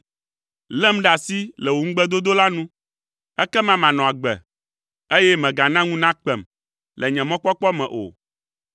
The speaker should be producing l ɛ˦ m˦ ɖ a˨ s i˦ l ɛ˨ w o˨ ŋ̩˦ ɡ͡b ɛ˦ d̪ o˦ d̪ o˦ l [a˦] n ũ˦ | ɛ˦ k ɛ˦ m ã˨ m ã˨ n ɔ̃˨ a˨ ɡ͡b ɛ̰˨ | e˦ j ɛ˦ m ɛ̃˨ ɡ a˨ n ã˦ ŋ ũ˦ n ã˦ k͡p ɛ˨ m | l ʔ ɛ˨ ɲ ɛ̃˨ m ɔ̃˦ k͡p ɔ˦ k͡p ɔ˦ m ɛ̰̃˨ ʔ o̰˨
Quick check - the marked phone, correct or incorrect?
correct